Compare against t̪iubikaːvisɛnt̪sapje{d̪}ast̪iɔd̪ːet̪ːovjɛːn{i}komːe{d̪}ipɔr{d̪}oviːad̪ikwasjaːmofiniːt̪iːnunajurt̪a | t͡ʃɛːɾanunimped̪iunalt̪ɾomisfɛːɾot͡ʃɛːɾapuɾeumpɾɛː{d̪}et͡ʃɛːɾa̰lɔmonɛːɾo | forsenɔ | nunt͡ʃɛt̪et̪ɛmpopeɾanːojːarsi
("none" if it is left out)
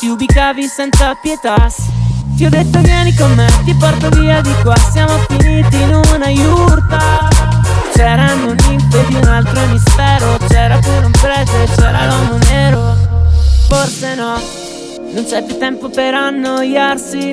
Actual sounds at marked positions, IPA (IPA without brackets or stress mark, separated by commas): t̪, i, t̪, t̪, t̪